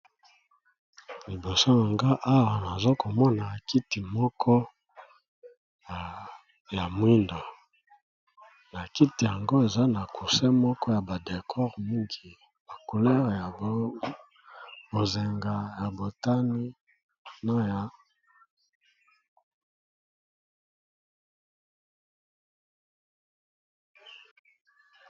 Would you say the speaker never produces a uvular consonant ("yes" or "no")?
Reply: no